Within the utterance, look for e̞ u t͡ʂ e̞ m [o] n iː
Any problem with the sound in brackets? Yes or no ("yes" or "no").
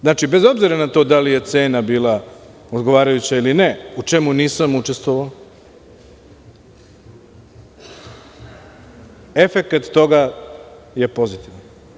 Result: yes